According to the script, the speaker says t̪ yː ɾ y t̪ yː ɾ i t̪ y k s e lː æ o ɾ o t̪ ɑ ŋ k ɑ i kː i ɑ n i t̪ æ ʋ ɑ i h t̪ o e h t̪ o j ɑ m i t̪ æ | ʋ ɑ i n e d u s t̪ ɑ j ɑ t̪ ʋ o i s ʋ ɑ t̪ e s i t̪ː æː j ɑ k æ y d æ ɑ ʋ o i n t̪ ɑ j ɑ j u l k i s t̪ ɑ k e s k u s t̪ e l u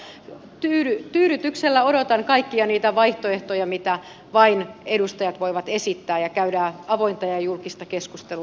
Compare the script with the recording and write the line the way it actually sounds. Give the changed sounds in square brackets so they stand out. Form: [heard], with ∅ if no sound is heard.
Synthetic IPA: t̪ yː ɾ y t̪ yː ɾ [y] t̪ y k s e lː æ o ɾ o t̪ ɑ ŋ k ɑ i kː i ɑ n [iː] t̪ æ ʋ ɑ i h t̪ o e h t̪ o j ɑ m i t̪ æ | ʋ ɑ i n e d u s t̪ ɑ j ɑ t̪ ʋ o i [∅] ʋ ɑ t̪ e s i t̪ː æː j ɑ k æ y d æ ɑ ʋ o i n t̪ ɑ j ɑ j u l k i s t̪ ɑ k e s k u s t̪ e l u